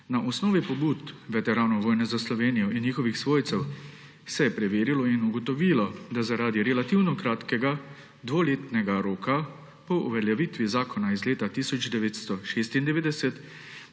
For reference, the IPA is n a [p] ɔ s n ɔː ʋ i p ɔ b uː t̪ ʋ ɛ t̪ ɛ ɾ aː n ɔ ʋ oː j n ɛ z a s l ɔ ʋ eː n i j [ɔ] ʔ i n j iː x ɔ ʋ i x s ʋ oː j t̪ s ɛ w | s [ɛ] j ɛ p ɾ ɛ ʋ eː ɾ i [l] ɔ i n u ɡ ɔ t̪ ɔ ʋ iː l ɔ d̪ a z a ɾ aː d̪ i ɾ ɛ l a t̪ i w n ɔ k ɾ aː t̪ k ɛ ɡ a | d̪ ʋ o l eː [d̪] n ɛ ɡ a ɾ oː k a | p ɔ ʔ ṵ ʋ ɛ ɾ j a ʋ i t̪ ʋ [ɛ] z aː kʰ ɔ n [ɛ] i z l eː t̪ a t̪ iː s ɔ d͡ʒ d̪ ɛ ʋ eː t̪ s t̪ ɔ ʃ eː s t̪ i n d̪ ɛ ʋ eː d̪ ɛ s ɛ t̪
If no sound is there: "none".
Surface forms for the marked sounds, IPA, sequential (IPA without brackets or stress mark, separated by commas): ʔ, ɔ, ɛ, l, t̪, i, a